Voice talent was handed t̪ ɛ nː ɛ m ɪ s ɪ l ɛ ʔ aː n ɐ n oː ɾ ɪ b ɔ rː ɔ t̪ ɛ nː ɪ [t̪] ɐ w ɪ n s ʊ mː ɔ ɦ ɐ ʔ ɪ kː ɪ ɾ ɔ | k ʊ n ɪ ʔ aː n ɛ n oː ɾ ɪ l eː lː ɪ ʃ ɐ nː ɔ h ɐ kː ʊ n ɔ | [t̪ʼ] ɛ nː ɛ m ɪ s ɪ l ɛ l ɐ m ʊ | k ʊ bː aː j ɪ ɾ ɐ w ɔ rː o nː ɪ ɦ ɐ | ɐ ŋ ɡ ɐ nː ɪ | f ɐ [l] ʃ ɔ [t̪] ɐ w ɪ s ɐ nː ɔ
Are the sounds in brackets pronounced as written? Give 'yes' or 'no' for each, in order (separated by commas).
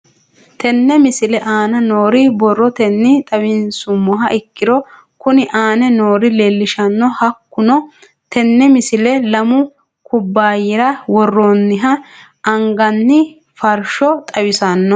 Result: no, no, no, no